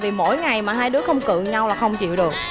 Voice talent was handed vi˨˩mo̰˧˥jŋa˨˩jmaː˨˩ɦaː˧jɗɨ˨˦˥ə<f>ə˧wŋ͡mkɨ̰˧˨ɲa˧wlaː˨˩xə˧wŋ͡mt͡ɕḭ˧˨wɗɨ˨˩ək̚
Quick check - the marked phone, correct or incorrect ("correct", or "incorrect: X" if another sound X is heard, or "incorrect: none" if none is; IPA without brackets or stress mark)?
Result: incorrect: x